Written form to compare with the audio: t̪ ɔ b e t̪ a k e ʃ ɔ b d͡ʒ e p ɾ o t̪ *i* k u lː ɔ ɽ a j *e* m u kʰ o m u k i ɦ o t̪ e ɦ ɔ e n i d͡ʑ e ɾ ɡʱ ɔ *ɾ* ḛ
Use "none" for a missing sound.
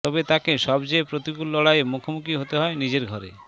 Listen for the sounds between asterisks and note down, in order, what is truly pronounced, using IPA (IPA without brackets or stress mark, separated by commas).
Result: i, e, ɾ